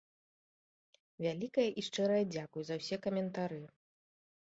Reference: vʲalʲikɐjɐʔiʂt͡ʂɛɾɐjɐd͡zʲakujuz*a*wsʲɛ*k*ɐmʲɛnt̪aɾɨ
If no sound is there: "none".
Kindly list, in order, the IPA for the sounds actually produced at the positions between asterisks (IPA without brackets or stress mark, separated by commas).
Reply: ɐ, k